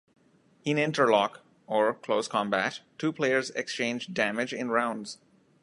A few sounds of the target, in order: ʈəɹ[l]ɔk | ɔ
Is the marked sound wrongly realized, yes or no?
no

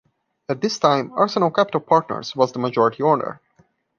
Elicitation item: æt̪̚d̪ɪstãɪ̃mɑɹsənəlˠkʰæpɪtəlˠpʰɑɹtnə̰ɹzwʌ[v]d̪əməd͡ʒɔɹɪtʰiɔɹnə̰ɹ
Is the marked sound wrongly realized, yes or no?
yes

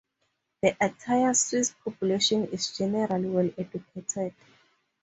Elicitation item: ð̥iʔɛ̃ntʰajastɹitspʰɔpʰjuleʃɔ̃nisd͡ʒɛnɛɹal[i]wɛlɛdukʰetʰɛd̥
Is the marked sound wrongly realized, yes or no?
no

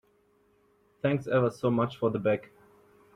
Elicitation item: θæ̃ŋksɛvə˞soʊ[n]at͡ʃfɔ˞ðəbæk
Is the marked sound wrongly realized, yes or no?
yes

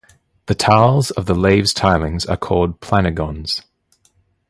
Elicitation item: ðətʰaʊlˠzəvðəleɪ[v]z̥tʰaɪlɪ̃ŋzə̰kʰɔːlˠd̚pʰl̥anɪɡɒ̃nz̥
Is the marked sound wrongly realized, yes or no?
no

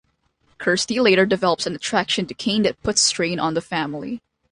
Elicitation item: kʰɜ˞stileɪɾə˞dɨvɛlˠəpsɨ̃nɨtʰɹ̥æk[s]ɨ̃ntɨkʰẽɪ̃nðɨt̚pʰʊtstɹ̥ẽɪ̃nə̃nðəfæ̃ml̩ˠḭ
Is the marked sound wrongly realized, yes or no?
yes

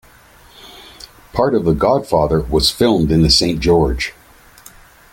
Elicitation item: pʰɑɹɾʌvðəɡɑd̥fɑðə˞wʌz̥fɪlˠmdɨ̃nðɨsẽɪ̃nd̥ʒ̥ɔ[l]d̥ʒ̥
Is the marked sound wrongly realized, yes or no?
yes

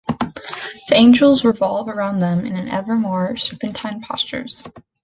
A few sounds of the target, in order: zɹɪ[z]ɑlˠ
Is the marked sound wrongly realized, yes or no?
yes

